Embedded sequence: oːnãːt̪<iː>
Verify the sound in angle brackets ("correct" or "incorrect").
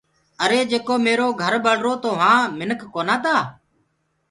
incorrect